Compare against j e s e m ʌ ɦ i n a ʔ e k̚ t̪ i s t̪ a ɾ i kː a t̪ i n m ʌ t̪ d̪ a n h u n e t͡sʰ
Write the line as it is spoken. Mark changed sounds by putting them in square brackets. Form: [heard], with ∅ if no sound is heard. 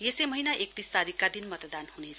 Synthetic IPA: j e s e m ʌ ɦ i n a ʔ e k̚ t̪ i s t̪ a ɾ i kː a [d̪] i n m ʌ t̪ d̪ a n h u n e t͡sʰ